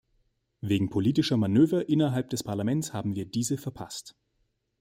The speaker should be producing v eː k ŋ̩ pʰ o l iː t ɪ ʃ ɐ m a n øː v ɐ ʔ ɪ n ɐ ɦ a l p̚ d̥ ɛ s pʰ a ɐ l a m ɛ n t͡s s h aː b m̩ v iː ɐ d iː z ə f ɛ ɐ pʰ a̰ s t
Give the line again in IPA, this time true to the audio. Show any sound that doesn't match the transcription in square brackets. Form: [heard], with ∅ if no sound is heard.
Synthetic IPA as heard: v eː [ɡ] ŋ̩ pʰ o l iː t ɪ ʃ ɐ m a n øː v ɐ ʔ ɪ n ɐ ɦ a l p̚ d̥ ɛ s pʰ a ɐ l a m ɛ n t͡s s h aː b m̩ v iː ɐ d iː z ə f ɛ ɐ pʰ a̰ s t